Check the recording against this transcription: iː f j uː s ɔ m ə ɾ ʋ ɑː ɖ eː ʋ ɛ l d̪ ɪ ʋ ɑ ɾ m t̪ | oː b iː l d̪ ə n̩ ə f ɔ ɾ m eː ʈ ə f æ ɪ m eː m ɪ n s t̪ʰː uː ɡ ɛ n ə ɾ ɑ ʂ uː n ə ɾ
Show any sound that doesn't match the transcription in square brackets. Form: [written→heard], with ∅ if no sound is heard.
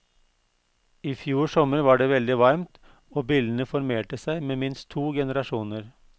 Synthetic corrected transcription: iː f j uː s ɔ m ə ɾ ʋ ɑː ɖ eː ʋ ɛ l d̪ ɪ ʋ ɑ ɾ m t̪ | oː b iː l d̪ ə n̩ ə f ɔ ɾ m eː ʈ ə [f→s] æ ɪ m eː m ɪ n s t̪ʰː uː ɡ ɛ n ə ɾ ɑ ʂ uː n ə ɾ